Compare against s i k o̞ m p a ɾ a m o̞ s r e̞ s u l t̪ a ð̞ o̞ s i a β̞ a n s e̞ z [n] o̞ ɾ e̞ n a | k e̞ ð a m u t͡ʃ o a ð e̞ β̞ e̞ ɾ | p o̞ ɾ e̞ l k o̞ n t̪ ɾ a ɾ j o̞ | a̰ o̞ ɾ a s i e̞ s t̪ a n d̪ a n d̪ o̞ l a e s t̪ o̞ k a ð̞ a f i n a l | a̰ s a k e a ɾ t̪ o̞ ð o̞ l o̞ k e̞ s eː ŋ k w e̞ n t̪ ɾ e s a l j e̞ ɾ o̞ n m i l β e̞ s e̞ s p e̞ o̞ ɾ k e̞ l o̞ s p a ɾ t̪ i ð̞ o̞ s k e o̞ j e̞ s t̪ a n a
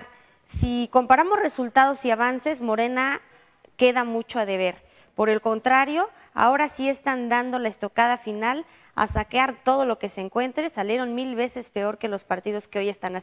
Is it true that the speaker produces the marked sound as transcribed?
no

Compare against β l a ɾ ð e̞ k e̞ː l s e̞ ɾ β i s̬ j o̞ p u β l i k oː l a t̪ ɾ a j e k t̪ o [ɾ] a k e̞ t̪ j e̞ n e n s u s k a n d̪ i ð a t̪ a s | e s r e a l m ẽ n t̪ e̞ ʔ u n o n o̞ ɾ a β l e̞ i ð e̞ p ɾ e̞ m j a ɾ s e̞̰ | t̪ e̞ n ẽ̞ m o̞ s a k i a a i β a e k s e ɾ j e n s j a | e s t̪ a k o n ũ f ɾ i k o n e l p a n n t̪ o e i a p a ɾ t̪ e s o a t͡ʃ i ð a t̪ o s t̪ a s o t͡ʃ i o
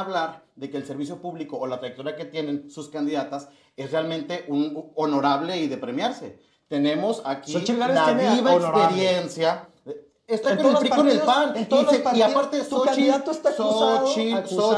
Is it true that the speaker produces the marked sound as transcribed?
yes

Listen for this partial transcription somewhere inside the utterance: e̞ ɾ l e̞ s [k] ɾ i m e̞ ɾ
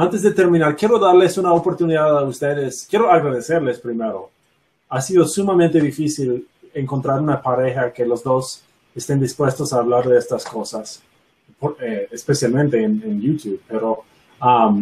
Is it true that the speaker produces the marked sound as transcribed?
no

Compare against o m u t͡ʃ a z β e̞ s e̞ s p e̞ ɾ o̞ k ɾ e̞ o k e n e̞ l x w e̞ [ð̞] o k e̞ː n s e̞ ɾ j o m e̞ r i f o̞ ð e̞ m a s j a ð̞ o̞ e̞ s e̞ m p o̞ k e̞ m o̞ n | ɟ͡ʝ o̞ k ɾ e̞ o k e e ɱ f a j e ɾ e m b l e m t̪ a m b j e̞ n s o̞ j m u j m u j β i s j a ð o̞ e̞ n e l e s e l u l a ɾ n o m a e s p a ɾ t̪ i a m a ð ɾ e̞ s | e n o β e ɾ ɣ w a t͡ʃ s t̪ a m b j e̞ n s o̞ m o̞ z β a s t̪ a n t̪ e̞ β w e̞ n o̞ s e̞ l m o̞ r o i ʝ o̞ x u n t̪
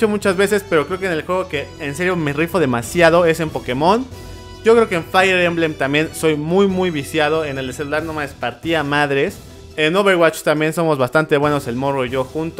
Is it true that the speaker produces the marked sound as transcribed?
no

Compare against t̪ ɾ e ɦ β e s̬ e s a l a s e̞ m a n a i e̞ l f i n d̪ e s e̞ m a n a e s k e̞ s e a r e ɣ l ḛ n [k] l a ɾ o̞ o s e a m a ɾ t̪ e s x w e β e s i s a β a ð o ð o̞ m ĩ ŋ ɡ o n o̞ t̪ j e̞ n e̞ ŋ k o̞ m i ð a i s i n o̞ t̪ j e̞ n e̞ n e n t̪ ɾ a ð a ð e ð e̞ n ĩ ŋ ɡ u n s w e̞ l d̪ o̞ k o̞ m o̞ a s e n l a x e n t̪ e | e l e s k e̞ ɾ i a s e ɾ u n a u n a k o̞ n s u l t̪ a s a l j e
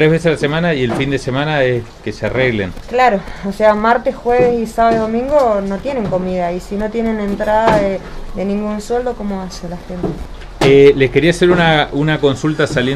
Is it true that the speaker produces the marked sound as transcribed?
yes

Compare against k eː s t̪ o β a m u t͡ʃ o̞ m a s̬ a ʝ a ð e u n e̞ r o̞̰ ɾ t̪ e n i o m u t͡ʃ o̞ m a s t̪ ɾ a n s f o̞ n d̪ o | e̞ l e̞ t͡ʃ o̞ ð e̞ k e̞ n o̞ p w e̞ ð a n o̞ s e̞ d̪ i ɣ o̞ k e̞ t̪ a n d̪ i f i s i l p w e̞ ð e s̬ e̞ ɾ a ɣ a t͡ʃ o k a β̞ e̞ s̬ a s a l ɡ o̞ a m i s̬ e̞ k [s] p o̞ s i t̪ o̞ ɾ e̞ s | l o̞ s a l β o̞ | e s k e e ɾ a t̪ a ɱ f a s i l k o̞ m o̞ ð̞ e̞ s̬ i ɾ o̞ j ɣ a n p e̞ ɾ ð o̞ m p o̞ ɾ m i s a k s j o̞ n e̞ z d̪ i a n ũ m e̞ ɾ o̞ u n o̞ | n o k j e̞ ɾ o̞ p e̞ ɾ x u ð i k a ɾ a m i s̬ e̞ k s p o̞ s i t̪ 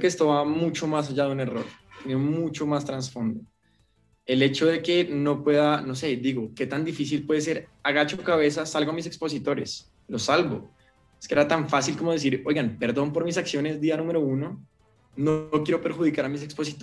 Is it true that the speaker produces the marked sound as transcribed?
yes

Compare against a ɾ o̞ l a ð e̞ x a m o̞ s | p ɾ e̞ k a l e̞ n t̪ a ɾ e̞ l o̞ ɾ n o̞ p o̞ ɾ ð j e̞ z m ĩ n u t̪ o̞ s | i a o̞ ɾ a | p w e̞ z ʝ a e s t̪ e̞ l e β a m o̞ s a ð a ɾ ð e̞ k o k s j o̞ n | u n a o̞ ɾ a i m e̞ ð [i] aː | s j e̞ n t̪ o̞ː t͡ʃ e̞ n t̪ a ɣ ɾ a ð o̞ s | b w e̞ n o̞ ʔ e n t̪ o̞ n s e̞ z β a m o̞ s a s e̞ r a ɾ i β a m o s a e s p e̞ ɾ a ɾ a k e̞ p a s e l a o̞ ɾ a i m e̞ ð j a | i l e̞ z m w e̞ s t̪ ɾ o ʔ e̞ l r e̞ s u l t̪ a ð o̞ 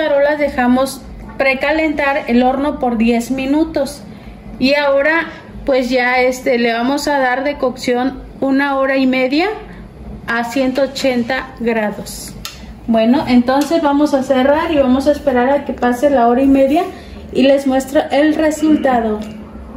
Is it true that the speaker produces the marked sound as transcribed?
no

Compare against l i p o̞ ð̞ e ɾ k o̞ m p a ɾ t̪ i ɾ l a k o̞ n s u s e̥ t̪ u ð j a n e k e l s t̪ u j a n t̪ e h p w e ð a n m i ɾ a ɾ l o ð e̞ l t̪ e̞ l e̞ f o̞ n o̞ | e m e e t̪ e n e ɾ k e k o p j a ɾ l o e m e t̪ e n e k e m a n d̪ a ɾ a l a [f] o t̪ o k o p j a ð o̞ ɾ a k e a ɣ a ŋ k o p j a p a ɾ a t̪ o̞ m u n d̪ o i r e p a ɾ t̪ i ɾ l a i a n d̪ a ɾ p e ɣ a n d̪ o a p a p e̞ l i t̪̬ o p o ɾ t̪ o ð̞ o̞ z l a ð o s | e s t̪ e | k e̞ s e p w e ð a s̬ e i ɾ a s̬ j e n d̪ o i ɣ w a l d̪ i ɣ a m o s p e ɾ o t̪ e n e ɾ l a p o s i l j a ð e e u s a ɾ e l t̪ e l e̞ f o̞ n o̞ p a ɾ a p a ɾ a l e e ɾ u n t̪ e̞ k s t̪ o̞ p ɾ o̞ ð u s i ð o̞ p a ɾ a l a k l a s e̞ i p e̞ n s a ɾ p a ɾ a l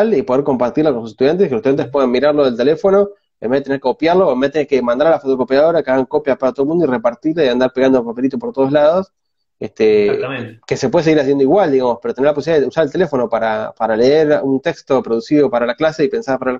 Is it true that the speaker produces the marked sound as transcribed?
yes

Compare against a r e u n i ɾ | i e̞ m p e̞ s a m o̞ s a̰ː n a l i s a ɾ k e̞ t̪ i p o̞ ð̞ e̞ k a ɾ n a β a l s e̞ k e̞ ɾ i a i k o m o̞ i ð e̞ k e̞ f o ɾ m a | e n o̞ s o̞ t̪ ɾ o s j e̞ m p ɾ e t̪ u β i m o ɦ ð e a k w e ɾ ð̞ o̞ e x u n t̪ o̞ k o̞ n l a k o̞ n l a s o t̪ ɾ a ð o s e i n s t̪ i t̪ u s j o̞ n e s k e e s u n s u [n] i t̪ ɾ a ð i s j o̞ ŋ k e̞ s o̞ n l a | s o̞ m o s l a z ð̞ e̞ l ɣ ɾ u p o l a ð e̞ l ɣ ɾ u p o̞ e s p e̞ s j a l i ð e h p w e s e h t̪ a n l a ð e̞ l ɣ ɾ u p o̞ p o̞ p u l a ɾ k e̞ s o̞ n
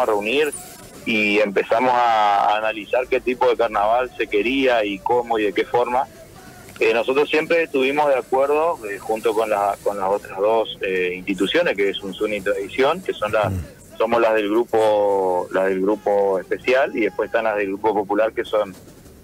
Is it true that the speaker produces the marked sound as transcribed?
yes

